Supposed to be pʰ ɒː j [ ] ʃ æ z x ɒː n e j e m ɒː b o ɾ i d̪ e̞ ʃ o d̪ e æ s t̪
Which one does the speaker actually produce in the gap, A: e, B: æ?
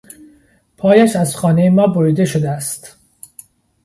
B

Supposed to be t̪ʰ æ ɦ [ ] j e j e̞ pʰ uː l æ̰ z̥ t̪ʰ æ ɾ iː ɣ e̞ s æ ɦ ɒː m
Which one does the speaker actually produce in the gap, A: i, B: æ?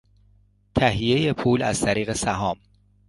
A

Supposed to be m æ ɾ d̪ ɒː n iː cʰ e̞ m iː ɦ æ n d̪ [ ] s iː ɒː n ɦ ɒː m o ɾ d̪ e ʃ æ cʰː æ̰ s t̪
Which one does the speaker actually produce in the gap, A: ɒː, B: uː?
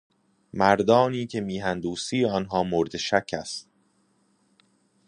B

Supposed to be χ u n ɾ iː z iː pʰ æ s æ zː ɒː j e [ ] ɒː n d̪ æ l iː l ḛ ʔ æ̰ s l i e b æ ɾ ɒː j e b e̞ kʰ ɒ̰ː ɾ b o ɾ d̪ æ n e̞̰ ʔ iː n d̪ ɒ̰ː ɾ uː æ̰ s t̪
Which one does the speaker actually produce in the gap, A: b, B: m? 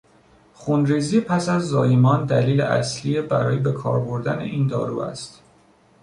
B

